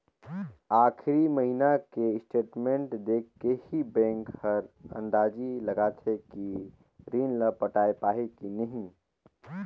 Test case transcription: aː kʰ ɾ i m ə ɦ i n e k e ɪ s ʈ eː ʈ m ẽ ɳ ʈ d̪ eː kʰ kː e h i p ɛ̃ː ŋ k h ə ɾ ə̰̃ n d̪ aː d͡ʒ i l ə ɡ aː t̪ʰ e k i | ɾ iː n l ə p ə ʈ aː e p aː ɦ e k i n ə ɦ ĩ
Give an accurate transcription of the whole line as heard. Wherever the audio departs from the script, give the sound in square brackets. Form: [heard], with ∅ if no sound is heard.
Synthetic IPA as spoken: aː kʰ ɾ i m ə ɦ i n [a] k e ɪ s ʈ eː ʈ m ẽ ɳ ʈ d̪ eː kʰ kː e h i [b] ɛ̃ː ŋ k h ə ɾ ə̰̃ n d̪ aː d͡ʒ i l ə ɡ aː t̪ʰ e k i | ɾ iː n l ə p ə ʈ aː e p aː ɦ e k i n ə ɦ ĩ